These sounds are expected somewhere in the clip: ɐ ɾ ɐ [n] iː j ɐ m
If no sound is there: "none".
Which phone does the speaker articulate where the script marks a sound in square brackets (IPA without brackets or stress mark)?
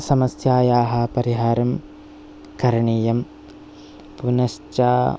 ɳ